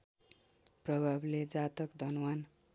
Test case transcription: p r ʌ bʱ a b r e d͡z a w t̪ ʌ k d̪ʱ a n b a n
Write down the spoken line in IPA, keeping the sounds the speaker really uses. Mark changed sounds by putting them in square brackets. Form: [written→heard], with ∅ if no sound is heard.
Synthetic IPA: p r ʌ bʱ a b [r→l] e d͡z a [w→∅] t̪ ʌ k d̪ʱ [a→ʌ] n [b→w] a n